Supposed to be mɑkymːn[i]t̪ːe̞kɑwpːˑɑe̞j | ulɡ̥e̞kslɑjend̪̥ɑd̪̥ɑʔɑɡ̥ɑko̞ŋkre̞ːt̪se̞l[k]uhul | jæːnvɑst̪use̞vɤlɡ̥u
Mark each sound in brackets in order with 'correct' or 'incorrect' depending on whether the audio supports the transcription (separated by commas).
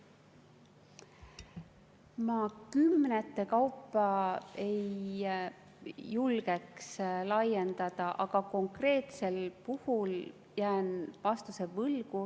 incorrect, incorrect